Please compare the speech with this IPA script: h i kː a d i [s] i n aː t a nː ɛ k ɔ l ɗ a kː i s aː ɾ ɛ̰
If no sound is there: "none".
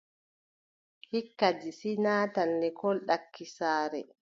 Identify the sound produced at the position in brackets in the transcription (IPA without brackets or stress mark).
s